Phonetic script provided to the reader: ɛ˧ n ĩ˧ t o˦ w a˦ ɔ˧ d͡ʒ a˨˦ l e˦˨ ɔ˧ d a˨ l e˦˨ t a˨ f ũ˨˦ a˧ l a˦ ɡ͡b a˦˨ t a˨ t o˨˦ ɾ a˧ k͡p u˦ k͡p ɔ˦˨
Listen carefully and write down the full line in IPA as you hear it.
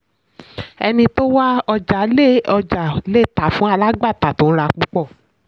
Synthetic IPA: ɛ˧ n ĩ˧ t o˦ w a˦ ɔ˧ d͡ʒ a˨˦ l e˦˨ ɔ˧ d͡ʒ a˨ l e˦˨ t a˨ f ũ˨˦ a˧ l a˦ ɡ͡b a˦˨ t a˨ t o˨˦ ɾ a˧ k͡p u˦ k͡p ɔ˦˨